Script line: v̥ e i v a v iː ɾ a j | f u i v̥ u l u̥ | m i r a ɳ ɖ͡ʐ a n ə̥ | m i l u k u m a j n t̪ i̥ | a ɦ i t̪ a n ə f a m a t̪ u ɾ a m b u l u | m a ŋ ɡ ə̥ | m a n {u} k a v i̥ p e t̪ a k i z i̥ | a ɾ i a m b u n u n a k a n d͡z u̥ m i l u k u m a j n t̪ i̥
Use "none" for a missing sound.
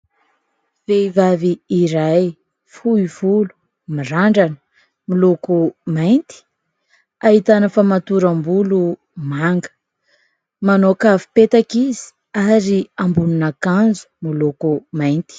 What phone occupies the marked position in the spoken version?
o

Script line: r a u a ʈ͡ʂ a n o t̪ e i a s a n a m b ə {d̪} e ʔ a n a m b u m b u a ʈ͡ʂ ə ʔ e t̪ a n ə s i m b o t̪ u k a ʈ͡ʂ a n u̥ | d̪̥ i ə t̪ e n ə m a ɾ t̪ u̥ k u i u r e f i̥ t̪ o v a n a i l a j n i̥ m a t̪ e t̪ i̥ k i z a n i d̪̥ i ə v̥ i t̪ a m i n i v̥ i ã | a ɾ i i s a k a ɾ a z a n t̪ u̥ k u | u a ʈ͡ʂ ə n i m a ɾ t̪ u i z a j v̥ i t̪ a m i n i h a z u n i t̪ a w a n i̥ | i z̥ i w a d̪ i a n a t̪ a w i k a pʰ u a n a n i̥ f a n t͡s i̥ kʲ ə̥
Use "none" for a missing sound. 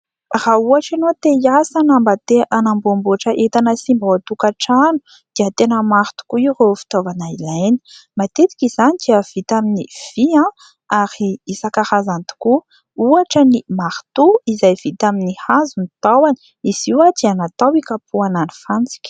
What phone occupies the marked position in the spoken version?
t̪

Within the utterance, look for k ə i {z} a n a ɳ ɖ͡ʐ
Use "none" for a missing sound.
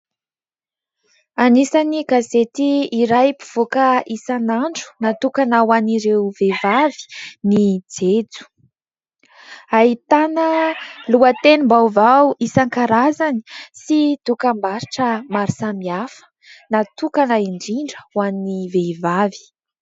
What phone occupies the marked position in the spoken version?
s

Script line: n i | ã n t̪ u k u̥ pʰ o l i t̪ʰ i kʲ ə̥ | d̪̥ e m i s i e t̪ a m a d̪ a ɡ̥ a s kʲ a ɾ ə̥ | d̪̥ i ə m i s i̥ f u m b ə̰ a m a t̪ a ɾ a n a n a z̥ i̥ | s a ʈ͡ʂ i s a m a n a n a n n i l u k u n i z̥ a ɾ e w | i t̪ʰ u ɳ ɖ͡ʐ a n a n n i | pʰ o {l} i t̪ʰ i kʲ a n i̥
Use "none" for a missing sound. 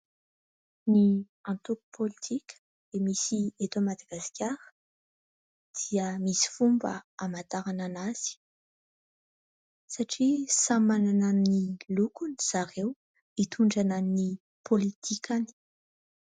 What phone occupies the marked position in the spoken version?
l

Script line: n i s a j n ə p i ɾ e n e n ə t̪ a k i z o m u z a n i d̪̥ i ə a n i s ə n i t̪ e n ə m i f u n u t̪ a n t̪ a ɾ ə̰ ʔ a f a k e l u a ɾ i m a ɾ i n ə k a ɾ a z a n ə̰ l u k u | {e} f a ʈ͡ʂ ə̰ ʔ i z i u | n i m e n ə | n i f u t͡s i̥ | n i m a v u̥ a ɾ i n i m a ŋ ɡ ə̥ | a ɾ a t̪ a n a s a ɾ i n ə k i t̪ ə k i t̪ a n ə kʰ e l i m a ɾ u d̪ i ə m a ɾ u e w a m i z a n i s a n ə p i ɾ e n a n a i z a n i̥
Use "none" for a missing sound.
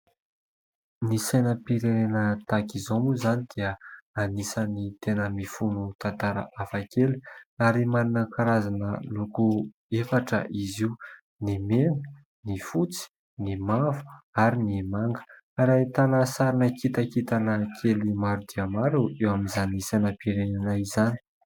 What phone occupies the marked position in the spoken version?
e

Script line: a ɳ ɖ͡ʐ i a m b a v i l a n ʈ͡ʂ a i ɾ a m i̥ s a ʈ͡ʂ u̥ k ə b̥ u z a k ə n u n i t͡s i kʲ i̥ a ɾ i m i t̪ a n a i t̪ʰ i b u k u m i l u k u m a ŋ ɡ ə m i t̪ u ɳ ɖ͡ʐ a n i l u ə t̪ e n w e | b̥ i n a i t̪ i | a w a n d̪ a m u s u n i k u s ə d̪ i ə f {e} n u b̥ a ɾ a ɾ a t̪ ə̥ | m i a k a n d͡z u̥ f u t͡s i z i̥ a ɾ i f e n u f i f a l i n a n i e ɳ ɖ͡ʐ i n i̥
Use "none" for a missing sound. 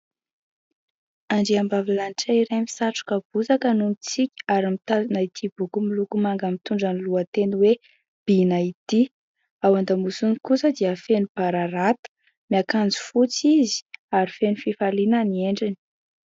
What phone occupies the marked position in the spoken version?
e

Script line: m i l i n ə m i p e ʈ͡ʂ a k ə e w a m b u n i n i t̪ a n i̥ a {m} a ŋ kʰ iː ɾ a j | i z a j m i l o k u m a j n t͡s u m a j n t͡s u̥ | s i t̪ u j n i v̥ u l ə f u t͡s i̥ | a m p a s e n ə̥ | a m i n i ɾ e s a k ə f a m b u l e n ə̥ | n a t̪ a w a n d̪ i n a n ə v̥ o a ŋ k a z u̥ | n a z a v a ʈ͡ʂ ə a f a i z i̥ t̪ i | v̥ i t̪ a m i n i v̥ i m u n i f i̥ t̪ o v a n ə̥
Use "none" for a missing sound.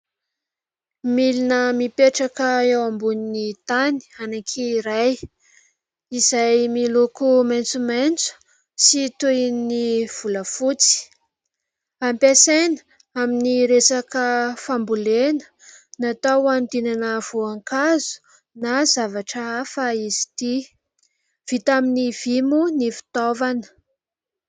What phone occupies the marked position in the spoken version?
n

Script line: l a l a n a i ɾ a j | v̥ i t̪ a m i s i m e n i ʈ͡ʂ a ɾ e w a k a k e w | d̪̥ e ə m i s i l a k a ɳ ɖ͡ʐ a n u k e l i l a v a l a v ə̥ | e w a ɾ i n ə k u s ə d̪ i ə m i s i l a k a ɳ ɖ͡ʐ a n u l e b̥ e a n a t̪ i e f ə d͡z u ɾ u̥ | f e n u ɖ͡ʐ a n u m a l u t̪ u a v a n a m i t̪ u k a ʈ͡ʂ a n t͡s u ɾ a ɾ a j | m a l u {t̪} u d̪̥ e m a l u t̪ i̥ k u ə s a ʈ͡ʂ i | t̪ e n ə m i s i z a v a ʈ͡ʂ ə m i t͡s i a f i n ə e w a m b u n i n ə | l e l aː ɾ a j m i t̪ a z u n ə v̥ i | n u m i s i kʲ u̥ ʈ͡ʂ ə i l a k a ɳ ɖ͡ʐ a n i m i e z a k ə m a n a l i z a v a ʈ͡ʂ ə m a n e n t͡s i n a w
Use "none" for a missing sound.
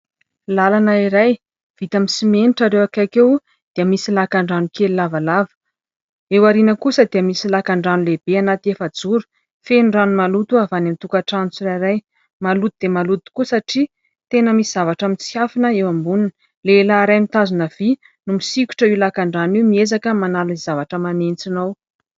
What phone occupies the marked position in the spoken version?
t̪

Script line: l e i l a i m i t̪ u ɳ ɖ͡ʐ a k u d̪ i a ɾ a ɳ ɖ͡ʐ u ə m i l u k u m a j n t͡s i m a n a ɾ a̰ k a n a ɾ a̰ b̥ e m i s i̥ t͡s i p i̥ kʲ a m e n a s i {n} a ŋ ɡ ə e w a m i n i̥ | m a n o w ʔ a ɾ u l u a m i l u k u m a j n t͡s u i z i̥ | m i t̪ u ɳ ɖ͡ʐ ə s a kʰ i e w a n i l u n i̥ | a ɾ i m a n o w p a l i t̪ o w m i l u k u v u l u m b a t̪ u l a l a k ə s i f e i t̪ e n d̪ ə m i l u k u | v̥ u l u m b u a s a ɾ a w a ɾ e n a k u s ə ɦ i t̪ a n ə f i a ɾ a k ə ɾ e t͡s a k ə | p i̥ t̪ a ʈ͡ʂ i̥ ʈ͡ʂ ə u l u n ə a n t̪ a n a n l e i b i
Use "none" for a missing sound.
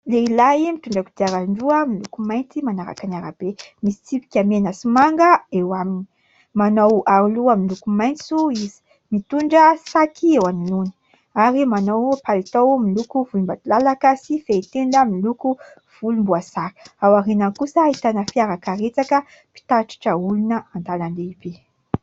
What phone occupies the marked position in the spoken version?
m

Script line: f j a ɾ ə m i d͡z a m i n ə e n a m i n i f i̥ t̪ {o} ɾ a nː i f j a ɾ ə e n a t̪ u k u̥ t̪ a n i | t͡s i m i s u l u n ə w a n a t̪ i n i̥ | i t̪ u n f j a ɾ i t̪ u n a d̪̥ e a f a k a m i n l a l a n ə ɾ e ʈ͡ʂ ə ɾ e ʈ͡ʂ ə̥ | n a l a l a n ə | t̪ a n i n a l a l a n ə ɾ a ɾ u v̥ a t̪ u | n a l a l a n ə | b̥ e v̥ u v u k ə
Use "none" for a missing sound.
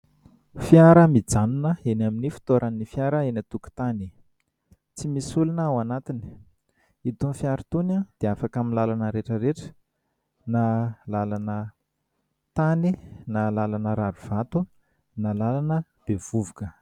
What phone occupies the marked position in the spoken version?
o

